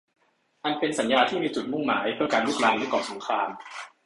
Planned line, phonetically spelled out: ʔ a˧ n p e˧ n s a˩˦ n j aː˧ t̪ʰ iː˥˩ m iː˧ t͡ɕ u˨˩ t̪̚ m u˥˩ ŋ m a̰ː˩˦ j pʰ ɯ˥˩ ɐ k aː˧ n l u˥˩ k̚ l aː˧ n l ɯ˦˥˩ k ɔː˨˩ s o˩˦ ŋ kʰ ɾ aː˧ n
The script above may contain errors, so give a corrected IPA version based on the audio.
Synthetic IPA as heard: ʔ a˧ n p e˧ n s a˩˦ n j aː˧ t̪ʰ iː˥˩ m iː˧ t͡ɕ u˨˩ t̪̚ m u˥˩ ŋ m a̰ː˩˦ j pʰ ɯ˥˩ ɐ k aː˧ n l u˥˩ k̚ l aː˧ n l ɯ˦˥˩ k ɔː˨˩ s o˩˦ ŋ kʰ ɾ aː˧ m